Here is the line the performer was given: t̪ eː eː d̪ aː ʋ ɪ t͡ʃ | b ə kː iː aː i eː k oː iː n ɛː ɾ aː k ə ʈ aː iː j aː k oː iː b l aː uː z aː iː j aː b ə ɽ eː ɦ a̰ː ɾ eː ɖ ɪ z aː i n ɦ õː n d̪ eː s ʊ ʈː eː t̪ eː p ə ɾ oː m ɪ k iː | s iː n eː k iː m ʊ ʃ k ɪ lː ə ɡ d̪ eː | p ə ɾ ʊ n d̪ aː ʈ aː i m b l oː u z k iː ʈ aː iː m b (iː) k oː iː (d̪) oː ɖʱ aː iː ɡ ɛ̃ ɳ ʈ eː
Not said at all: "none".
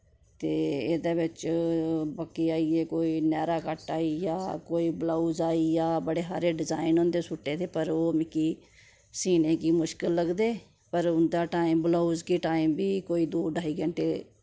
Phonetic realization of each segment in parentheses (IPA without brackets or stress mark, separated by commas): iː, d̪